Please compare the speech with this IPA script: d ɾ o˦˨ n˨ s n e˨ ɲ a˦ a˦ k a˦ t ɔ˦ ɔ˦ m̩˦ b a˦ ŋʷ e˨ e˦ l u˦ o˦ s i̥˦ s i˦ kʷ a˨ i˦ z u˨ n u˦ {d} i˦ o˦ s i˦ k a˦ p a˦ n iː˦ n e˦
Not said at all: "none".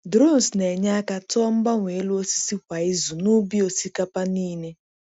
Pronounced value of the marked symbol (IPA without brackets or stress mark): b